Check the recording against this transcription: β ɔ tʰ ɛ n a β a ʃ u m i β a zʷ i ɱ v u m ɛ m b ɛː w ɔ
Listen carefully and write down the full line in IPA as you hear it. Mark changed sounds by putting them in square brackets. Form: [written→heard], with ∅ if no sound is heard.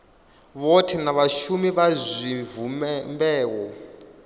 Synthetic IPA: β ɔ tʰ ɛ n a β a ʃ u m i β a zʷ i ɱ v u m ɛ m b ɛː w ɔ